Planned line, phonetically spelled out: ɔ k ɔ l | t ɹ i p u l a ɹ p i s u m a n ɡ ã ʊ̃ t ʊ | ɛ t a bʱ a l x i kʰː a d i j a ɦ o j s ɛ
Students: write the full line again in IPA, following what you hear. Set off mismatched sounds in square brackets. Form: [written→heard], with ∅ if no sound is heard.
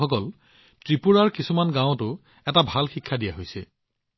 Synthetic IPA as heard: ɔ k ɔ l | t ɹ i p u [l→ɹ] a ɹ [p→k] i s u m a n ɡ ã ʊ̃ t ʊ | ɛ t a bʱ a l x i kʰː a d i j a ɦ o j s ɛ